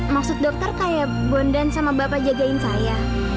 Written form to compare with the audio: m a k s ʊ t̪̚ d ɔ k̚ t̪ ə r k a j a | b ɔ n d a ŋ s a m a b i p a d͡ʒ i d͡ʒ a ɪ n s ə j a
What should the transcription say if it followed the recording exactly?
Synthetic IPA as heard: m a k s ʊ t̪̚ d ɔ k̚ t̪ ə r k a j a | b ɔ n d a n s a m a b a p a d͡ʒ a d͡ʒ a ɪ n s a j a